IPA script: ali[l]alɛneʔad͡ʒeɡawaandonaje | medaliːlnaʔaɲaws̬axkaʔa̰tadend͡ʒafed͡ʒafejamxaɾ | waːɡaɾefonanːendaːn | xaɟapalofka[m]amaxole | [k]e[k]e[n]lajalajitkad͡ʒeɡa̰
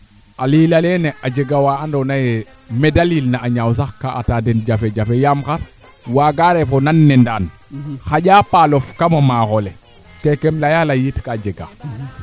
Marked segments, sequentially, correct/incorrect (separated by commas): correct, correct, correct, correct, incorrect